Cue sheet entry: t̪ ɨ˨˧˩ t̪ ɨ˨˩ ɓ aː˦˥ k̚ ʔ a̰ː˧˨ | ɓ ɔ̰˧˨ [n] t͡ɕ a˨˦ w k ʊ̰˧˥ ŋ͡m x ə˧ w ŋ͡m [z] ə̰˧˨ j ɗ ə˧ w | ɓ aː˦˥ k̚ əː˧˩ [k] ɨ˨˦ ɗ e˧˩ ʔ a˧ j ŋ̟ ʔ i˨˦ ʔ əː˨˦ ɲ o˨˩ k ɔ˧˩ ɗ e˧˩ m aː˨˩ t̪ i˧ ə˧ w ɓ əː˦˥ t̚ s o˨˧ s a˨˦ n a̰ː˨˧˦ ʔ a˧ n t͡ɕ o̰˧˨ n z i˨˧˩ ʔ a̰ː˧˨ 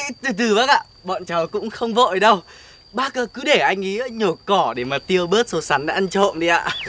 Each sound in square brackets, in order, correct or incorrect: correct, incorrect: v, correct

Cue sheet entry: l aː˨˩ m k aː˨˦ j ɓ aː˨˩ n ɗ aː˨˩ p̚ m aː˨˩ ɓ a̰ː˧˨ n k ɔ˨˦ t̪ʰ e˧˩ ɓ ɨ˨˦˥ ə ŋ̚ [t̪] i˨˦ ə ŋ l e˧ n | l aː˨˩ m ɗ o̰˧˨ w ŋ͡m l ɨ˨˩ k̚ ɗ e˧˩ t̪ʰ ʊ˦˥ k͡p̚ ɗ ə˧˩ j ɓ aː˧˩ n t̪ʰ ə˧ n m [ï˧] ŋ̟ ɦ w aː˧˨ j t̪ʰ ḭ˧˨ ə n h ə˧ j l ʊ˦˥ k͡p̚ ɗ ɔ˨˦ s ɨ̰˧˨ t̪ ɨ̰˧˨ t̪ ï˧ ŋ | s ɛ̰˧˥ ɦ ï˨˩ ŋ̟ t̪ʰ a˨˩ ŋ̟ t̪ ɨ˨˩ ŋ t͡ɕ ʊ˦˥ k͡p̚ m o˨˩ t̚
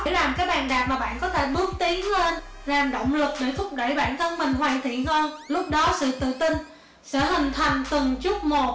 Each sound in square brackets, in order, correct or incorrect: correct, incorrect: ï˨˩

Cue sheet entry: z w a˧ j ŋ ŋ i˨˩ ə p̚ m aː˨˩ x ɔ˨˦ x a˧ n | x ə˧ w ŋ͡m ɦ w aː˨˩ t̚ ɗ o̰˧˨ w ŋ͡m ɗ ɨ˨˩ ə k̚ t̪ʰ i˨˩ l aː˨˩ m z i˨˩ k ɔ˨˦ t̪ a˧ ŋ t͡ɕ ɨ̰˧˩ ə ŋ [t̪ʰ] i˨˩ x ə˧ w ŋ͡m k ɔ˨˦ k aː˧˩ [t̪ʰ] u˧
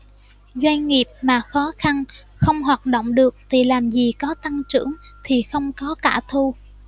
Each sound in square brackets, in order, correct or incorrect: correct, correct

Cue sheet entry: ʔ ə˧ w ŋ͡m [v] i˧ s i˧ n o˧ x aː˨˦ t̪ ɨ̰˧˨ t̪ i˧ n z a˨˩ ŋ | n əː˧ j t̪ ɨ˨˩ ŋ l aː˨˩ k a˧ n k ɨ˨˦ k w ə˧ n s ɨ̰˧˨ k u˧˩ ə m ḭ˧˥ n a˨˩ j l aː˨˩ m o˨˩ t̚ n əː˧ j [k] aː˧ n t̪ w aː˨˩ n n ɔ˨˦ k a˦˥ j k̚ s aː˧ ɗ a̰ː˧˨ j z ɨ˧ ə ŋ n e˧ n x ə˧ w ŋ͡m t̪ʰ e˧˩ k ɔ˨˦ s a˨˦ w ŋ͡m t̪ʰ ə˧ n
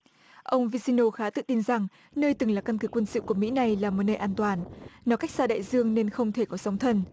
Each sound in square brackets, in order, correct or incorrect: correct, incorrect: ʔ

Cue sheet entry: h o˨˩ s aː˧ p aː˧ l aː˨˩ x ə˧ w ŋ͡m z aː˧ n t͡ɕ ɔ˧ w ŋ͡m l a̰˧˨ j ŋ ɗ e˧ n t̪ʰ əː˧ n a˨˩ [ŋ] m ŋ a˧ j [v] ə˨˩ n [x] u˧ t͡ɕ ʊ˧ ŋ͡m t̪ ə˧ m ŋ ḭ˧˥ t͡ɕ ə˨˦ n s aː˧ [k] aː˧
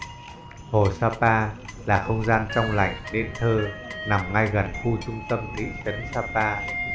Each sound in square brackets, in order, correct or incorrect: incorrect: none, incorrect: ɣ, correct, incorrect: p

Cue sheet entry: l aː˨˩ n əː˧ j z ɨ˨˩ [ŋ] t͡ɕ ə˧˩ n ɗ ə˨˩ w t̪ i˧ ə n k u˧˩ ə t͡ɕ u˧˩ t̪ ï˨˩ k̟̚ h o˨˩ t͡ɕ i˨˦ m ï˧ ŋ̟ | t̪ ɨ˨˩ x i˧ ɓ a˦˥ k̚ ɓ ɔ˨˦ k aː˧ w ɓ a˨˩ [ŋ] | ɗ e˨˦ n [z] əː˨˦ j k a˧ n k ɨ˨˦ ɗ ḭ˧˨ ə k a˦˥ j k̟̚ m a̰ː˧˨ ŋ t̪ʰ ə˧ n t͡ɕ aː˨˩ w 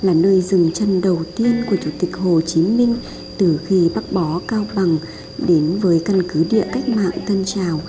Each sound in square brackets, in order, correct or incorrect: correct, correct, incorrect: v

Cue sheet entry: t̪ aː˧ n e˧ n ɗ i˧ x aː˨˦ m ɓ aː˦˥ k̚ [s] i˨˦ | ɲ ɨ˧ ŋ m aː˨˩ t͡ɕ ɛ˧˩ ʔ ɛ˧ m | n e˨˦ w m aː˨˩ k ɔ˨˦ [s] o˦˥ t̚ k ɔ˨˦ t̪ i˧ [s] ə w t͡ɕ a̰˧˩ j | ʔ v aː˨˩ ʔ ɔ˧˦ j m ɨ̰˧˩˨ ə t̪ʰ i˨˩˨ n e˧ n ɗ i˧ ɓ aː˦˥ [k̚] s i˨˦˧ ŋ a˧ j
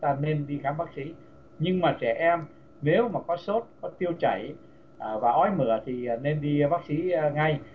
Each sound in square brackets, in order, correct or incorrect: correct, correct, incorrect: none, correct

